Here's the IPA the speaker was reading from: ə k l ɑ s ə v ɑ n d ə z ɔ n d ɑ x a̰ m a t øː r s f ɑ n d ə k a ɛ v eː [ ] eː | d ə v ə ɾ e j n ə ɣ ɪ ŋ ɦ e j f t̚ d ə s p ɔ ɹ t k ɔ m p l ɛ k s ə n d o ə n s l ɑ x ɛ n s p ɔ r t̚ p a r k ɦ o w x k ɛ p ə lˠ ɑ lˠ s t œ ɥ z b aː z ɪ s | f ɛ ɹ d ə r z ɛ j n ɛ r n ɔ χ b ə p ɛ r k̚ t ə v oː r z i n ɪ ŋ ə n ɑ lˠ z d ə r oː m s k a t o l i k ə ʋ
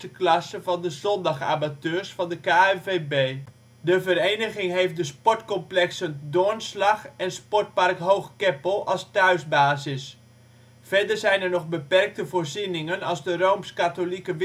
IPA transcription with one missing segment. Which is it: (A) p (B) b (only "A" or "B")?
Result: B